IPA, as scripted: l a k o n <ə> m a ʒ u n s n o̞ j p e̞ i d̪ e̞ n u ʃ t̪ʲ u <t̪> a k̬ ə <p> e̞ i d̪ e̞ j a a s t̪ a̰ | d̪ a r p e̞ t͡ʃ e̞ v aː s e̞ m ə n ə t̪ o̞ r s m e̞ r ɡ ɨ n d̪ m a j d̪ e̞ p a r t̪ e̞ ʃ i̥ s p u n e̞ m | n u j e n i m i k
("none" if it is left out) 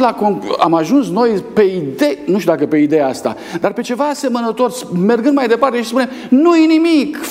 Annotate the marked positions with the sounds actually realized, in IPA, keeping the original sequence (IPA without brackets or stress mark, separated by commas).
a, d̪, p